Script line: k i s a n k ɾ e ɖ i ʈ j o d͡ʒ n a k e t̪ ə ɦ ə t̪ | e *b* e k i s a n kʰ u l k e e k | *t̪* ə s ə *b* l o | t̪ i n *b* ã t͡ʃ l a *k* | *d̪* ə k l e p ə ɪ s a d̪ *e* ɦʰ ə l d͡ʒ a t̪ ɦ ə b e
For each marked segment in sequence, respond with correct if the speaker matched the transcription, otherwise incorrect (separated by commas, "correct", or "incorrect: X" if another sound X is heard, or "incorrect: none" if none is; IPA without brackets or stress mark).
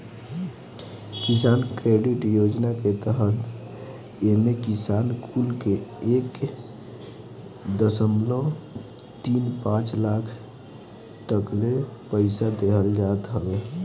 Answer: incorrect: m, incorrect: d̪, incorrect: m, incorrect: p, incorrect: kʰ, incorrect: t̪, correct